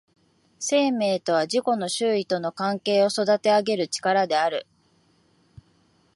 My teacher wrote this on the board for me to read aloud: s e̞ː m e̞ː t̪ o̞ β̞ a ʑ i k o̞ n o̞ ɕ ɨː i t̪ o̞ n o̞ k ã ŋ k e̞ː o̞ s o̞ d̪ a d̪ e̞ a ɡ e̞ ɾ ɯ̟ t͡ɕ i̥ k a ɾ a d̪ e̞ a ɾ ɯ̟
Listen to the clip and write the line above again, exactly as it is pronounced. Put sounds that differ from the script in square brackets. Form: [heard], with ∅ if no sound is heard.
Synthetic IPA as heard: s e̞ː m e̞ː t̪ o̞ β̞ a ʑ i k o̞ n o̞ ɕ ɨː i t̪ o̞ n o̞ k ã ŋ k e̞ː o̞ s o̞ d̪ a [t̪] e̞ a ɡ e̞ ɾ ɯ̟ t͡ɕ i̥ k a ɾ a d̪ e̞ a ɾ ɯ̟

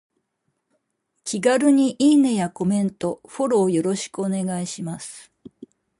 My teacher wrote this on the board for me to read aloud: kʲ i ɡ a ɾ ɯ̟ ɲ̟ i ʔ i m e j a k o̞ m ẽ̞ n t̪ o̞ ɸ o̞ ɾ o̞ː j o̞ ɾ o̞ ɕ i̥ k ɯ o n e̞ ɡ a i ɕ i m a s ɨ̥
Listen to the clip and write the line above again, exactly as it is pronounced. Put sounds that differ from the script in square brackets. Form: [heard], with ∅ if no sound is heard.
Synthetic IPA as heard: kʲ i ɡ a ɾ ɯ̟ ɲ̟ i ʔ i [n] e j a k o̞ m ẽ̞ n t̪ o̞ ɸ o̞ ɾ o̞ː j o̞ ɾ o̞ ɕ i̥ k ɯ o n e̞ ɡ a i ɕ i m a s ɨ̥

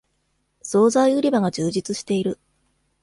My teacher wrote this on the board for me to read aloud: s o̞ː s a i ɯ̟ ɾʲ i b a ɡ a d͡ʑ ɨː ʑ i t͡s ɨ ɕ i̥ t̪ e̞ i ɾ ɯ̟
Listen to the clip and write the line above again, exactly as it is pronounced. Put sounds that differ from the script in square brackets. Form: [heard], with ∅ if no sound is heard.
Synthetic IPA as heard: s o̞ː [z] a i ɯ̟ ɾʲ i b a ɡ a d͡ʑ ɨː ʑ i t͡s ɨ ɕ i̥ t̪ e̞ i ɾ ɯ̟

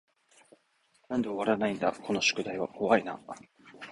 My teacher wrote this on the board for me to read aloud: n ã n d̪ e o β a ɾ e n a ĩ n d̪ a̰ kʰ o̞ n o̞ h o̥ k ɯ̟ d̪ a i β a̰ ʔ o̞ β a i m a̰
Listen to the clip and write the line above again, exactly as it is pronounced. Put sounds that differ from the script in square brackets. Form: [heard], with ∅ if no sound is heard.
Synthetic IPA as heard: n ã n d̪ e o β a ɾ [a] n a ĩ n d̪ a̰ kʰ o̞ n o̞ [ɕ] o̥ k ɯ̟ d̪ a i β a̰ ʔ o̞ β a i [n] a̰

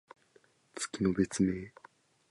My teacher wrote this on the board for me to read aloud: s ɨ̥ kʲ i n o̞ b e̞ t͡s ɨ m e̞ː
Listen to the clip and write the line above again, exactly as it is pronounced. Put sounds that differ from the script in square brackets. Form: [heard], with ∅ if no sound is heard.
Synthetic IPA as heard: [t͡s] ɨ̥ kʲ i n o̞ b e̞ t͡s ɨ m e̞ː

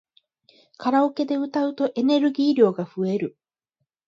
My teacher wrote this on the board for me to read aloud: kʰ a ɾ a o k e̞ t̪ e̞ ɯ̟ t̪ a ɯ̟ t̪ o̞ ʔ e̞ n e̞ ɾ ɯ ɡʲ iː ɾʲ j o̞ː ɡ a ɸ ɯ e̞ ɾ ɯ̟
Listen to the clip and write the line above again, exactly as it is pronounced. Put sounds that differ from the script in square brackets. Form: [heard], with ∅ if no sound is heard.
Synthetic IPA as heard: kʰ a ɾ a o k e̞ [d̪] e̞ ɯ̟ t̪ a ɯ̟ t̪ o̞ ʔ e̞ n e̞ ɾ ɯ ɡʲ iː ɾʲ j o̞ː ɡ a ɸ ɯ e̞ ɾ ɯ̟

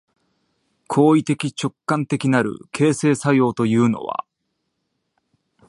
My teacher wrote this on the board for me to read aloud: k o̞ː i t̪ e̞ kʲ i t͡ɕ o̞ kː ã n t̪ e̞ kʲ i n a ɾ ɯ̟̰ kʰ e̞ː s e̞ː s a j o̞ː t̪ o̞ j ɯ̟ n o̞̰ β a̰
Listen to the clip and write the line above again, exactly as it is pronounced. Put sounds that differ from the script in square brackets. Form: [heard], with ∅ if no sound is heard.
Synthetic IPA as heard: [kʰ] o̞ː i t̪ e̞ kʲ i t͡ɕ o̞ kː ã n t̪ e̞ kʲ i n a ɾ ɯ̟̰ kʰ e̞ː s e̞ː s a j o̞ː t̪ o̞ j [ɯ̟ː] n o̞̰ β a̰

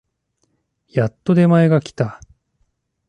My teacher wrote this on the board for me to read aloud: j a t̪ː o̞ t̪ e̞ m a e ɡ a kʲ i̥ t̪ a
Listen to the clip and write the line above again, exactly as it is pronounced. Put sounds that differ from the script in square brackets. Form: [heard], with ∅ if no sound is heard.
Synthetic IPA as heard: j a t̪ː o̞ [d̪] e̞ m a e ɡ a kʲ i̥ t̪ a

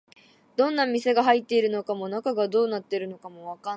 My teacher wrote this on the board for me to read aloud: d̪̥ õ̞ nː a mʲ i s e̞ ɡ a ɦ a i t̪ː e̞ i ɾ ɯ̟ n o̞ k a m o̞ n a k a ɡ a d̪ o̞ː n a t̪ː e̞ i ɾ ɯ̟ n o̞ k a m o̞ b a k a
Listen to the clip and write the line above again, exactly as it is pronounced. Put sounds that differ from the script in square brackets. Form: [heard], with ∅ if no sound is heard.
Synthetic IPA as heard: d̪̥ õ̞ nː a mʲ i s e̞ ɡ a ɦ a i t̪ː e̞ i ɾ ɯ̟ n o̞ k a m o̞ n a k a ɡ a d̪ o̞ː n a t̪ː e̞ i ɾ ɯ̟ n o̞ k a m o̞ [β] a k a

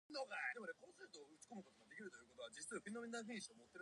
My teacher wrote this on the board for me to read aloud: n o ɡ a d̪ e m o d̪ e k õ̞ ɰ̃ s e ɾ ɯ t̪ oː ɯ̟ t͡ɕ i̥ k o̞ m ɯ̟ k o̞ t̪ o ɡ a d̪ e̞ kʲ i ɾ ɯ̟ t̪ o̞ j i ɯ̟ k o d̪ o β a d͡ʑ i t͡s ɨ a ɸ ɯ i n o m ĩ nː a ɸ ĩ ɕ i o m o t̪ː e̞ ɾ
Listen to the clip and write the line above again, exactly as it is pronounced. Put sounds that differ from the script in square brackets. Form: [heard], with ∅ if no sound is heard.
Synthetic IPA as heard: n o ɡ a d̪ e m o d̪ e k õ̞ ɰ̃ s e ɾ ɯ t̪ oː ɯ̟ t͡ɕ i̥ k o̞ m ɯ̟ k o̞ t̪ o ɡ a d̪ e̞ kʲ i ɾ ɯ̟ t̪ o̞ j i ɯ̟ k o [t̪] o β a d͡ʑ i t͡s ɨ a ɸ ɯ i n o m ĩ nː a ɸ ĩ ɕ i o m o t̪ː e̞ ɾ

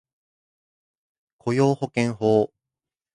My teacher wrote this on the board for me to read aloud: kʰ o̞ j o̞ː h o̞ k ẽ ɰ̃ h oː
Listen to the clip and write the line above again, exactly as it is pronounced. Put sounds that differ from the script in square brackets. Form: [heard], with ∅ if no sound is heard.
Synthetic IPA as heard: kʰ o̞ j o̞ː h o̞ k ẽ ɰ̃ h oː

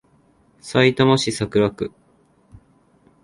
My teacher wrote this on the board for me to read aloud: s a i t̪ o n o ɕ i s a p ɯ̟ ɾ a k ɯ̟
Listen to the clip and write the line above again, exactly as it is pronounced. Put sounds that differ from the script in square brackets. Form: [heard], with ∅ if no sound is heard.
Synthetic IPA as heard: s a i t̪ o [m] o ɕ i s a [k] ɯ̟ ɾ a k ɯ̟

